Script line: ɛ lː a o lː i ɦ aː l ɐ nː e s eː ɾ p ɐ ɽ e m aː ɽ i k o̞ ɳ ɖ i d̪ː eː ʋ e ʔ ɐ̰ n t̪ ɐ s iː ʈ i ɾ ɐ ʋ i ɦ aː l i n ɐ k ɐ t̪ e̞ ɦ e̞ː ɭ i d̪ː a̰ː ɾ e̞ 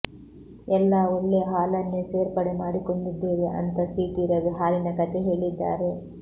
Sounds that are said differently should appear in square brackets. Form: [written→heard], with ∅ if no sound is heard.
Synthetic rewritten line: ɛ lː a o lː [i→e] ɦ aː l ɐ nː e s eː ɾ p ɐ ɽ e m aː ɽ i k o̞ ɳ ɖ i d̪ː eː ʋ e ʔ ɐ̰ n t̪ ɐ s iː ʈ i ɾ ɐ ʋ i ɦ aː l i n ɐ k ɐ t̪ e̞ ɦ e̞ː ɭ i d̪ː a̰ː ɾ e̞

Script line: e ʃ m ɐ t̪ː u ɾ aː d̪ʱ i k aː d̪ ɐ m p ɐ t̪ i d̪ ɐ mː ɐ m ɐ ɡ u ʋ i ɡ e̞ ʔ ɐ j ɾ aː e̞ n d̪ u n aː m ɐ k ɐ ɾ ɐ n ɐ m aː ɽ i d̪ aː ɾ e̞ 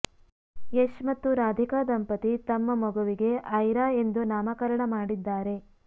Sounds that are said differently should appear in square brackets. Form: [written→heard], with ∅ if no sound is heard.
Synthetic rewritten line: e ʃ m ɐ t̪ː u ɾ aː d̪ʱ i k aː d̪ ɐ m p ɐ t̪ i [d̪→t̪] ɐ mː ɐ m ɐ ɡ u ʋ i ɡ e̞ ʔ ɐ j ɾ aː e̞ n d̪ u n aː m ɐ k ɐ ɾ ɐ [n→ɳ] ɐ m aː ɽ i [d̪→d̪ː] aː ɾ e̞

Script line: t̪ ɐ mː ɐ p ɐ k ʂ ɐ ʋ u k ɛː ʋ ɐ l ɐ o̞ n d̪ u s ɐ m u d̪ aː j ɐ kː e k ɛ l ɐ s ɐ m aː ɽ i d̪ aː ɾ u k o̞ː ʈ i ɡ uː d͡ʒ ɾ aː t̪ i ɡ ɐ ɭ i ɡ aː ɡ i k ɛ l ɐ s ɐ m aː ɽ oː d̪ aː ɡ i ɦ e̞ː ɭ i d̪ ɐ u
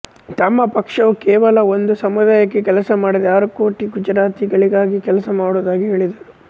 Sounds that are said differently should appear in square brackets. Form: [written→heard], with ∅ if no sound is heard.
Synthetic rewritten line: t̪ ɐ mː ɐ p ɐ k ʂ ɐ ʋ u k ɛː ʋ ɐ l ɐ o̞ n d̪ u s ɐ m u d̪ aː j ɐ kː e k ɛ l ɐ s ɐ m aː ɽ i d̪ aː ɾ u k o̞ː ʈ i ɡ [uː→u] d͡ʒ ɾ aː t̪ i ɡ ɐ ɭ i ɡ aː ɡ i k ɛ l ɐ s ɐ m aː ɽ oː d̪ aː ɡ i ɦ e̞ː ɭ i d̪ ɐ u

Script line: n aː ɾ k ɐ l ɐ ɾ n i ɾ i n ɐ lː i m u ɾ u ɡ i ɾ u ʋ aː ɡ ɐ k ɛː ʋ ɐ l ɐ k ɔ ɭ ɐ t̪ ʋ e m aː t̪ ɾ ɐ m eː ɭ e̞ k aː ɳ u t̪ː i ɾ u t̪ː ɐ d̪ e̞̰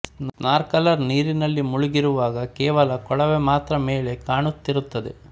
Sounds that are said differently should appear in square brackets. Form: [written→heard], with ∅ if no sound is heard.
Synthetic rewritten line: n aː ɾ k ɐ l ɐ ɾ n [i→iː] ɾ i n ɐ lː i m u [ɾ→ɭ] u ɡ i ɾ u ʋ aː ɡ ɐ k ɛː ʋ ɐ l ɐ k ɔ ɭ ɐ [t̪→∅] ʋ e m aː t̪ ɾ ɐ m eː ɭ e̞ k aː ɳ u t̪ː i ɾ u t̪ː ɐ d̪ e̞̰

